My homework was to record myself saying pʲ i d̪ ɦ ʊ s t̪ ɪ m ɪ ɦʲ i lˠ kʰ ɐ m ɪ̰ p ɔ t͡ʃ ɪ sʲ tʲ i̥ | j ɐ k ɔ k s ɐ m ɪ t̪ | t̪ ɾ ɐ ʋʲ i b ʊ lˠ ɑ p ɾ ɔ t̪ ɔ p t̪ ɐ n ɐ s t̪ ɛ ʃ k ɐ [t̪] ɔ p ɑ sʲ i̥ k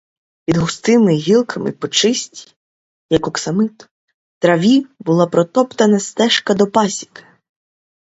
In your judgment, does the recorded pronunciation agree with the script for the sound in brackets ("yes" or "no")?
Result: no